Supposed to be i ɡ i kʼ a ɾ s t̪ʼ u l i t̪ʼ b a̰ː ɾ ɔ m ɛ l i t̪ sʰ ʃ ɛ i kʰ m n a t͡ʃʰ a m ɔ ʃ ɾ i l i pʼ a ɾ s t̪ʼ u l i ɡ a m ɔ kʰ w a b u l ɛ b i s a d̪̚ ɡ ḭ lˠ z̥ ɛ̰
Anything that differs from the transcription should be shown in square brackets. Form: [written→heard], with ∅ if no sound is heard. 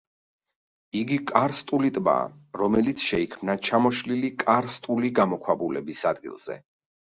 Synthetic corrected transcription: i ɡ i kʼ a ɾ s t̪ʼ u l i t̪ʼ b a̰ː ɾ ɔ m ɛ l i t̪ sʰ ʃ ɛ i kʰ m n a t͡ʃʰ a m ɔ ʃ [ɾ→l] i l i [pʼ→kʼ] a ɾ s t̪ʼ u l i ɡ a m ɔ kʰ w a b u l ɛ b i s a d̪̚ ɡ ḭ lˠ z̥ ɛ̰